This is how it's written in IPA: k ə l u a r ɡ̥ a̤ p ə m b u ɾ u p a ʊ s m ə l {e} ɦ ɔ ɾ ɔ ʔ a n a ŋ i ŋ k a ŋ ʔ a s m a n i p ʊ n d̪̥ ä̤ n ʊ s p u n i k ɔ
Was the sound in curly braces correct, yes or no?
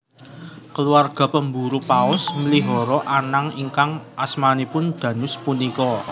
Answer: no